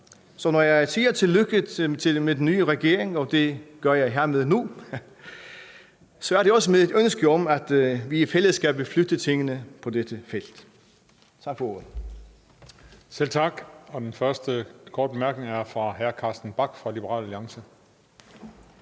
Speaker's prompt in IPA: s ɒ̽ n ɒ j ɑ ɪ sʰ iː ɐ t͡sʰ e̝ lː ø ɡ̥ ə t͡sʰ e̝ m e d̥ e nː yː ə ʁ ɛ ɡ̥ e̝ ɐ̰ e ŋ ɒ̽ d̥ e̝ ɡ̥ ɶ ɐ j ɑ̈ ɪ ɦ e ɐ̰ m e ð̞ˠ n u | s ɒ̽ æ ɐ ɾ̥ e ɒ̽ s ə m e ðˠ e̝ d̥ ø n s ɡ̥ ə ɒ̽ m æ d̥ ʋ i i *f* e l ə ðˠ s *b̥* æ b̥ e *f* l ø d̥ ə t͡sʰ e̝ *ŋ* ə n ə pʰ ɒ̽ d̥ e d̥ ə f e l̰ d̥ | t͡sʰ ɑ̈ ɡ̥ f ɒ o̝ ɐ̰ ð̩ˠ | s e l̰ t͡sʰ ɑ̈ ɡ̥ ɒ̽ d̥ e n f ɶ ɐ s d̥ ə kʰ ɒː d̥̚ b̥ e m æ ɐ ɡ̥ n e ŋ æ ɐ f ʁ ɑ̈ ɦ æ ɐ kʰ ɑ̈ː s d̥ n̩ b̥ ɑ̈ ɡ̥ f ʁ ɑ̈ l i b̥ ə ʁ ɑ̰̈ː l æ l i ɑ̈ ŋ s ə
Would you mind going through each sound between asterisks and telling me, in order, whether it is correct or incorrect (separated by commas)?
correct, incorrect, correct, correct